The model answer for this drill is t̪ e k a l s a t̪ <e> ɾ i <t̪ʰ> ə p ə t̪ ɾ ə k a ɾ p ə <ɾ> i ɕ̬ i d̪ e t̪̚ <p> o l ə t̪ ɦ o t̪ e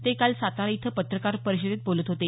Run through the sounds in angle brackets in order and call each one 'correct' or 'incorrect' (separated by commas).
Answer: incorrect, correct, correct, incorrect